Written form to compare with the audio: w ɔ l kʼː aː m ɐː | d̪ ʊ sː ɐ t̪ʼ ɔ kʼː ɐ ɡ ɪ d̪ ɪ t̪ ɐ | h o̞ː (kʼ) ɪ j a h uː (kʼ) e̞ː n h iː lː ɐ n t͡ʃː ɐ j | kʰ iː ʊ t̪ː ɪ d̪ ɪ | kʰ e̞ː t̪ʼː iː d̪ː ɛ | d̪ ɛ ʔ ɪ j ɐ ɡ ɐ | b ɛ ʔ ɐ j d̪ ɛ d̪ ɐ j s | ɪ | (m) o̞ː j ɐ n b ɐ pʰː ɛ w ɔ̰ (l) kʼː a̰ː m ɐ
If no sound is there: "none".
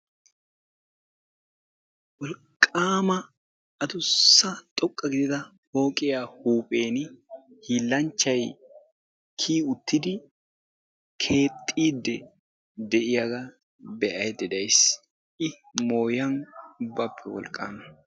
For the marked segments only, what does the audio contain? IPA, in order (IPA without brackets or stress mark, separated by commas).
kʼ, pʼ, m, l